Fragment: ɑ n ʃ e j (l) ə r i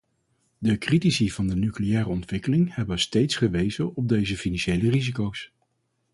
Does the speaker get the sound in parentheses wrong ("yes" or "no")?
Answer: no